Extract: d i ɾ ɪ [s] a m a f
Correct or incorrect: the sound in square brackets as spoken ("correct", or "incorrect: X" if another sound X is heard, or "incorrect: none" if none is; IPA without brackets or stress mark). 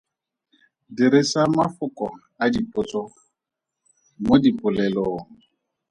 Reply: correct